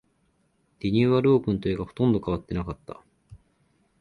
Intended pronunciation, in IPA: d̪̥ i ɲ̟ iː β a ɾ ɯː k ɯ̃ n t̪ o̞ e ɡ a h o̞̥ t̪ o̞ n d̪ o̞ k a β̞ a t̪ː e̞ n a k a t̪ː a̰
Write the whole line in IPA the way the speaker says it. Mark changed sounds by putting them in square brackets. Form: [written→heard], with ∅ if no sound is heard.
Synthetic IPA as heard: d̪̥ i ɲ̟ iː β a ɾ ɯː k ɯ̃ n t̪ o̞ e ɡ a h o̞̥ t̪ [o̞→õ̞] n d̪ o̞ k a β̞ a t̪ː e̞ n a k a t̪ː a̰